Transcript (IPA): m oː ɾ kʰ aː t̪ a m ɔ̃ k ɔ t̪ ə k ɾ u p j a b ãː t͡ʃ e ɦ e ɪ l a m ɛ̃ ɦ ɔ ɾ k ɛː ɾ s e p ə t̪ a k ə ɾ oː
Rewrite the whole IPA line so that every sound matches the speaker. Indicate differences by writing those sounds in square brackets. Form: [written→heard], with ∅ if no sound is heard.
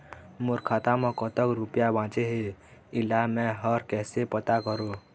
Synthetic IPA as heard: m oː ɾ kʰ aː t̪ a m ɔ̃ k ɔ t̪ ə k ɾ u p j a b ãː t͡ʃ e ɦ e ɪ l a m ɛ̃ ɦ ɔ ɾ k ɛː [ɾ→∅] s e p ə t̪ a k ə ɾ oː

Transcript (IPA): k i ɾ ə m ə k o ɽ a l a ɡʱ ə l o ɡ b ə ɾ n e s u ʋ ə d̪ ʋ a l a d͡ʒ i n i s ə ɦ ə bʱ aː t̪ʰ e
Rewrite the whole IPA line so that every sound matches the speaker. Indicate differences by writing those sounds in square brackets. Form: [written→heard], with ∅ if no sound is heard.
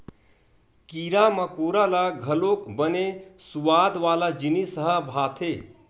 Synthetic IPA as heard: k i ɾ [ə→a] m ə k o [ɽ→ɾ] a l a ɡʱ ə l o [ɡ→k] b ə [ɾ→∅] n e s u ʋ [ə→a] d̪ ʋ a l a d͡ʒ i n i s ə ɦ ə bʱ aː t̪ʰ e

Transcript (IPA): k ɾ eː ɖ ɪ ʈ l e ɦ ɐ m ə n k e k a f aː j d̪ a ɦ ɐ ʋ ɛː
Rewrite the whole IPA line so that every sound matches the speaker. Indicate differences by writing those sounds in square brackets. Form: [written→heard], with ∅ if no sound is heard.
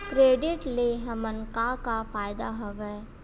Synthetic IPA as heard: k ɾ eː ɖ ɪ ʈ l e ɦ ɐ m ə n k [e→a] k a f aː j d̪ a ɦ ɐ ʋ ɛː

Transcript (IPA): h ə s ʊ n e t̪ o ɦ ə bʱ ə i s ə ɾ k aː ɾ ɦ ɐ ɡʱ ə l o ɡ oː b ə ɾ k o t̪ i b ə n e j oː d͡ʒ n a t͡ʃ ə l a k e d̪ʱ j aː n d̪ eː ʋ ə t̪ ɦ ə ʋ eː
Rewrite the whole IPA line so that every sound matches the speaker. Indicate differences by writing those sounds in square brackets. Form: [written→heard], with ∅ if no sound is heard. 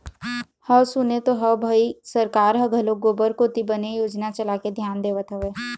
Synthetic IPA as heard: h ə s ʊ n e t̪ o ɦ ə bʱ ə i s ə ɾ k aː ɾ ɦ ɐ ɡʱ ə l o ɡ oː b ə ɾ k o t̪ i b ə n e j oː d͡ʒ n a t͡ʃ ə l a k e d̪ʱ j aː n d̪ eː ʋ ə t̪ ɦ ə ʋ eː

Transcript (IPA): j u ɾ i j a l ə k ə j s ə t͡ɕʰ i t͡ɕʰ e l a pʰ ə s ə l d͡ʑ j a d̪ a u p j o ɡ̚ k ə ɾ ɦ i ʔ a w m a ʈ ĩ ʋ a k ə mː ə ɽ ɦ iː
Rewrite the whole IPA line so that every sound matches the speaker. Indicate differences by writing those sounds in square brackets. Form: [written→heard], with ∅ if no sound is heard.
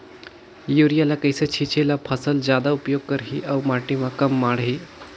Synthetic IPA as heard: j u ɾ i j a l [ə→a] k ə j s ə t͡ɕʰ i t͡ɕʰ e l a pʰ ə s ə l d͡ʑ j a d̪ a u p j o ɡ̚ k ə ɾ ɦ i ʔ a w m a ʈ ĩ ʋ a k ə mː [ə→a] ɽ ɦ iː

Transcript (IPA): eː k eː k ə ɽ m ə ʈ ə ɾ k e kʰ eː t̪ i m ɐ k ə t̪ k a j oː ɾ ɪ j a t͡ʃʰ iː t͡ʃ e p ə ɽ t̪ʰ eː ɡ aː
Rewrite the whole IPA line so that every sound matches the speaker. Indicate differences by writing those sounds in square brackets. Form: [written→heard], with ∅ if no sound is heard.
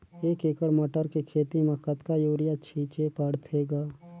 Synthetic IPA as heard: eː k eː k ə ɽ m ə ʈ ə ɾ k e kʰ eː t̪ i m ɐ k ə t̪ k a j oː ɾ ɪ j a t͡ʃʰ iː t͡ʃ e p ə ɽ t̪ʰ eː ɡ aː

